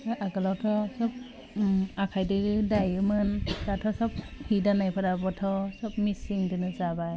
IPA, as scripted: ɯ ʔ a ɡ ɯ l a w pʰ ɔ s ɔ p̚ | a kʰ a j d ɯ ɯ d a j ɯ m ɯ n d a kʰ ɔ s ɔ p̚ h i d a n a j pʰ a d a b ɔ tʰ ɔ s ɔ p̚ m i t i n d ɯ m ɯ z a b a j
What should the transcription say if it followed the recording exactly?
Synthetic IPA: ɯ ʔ a ɡ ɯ l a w tʰ ɔ s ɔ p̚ | a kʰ a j d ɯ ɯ d a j ɯ m ɯ n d a tʰ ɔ s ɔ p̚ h i d a n a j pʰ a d a b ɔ tʰ ɔ s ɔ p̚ m i s i ŋ d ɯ n ɯ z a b a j